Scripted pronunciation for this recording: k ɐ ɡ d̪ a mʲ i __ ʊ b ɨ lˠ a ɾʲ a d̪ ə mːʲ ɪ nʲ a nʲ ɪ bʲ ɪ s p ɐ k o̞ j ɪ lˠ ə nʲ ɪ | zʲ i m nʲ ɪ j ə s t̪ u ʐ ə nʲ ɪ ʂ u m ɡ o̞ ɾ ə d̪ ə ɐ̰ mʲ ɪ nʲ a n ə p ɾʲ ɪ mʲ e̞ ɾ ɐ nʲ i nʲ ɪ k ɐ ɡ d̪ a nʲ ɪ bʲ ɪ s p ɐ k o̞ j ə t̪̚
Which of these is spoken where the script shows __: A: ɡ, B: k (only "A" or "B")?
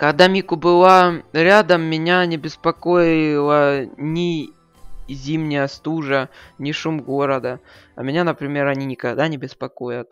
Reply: B